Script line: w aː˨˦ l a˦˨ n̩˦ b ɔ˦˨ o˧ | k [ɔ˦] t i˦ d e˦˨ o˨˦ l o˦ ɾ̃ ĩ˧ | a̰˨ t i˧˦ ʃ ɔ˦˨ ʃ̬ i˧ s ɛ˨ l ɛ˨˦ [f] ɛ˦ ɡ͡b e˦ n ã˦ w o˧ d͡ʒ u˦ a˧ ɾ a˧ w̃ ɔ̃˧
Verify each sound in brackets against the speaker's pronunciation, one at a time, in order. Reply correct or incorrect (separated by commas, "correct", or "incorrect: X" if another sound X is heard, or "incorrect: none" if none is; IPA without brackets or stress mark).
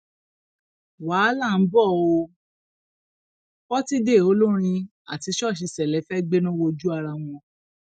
correct, correct